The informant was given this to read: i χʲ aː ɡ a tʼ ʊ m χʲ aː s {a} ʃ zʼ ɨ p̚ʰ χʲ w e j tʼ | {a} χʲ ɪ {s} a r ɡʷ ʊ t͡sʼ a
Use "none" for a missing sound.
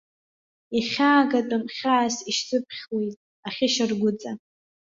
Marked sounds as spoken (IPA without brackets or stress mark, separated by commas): i, a, ʃ